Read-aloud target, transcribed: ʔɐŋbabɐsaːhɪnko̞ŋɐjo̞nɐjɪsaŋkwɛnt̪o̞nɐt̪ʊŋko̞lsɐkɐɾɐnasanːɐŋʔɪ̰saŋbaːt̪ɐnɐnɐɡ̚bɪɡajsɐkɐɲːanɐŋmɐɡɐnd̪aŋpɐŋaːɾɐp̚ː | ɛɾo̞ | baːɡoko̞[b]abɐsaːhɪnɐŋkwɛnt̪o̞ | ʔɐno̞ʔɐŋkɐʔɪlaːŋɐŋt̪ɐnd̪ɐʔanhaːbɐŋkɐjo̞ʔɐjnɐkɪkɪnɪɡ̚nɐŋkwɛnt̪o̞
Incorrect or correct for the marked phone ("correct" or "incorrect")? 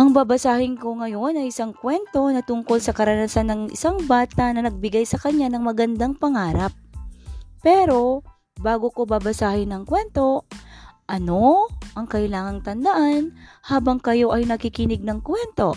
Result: correct